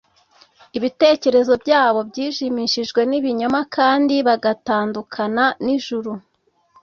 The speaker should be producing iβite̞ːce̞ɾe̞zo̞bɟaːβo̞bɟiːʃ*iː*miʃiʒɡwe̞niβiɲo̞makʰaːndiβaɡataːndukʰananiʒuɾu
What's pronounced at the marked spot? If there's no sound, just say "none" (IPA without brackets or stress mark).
i